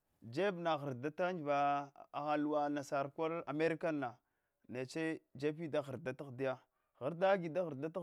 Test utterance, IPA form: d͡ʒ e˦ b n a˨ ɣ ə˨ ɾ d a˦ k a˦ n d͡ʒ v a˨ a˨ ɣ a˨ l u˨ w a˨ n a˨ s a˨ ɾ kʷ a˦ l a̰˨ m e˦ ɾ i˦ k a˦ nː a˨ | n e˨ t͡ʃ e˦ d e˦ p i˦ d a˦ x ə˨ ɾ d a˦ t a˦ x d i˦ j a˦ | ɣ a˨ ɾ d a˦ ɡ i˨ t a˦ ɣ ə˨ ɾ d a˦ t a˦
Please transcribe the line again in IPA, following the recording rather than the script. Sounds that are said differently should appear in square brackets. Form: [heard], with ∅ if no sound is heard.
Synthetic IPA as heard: d͡ʒ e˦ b n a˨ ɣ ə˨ ɾ d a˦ [t] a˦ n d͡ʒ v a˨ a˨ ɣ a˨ l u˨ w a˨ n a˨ s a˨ ɾ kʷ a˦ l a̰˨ m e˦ ɾ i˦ k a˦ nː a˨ | n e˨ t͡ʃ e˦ [d͡ʒ] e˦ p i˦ d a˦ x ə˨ ɾ d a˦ t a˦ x d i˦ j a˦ | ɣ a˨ ɾ d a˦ ɡ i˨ [d] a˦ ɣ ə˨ ɾ d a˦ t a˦